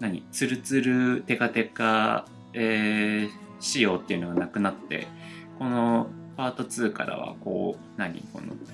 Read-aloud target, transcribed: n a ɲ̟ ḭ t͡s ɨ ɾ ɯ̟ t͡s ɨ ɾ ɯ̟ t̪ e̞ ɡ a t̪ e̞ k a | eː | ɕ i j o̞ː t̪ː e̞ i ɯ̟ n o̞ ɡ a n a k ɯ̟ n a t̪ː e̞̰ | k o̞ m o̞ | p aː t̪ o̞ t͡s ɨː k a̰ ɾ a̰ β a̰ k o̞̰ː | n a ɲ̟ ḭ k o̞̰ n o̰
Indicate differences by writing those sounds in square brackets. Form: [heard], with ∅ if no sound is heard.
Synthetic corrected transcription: n a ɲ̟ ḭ t͡s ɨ ɾ ɯ̟ t͡s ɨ ɾ ɯ̟ t̪ e̞ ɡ a t̪ e̞ k a | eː | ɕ i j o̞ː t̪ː e̞ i ɯ̟ n o̞ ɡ a n a k ɯ̟ n a t̪ː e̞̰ | k o̞ [n] o̞ | p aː t̪ o̞ t͡s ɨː k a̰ ɾ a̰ β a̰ k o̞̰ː | n a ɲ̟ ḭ k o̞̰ n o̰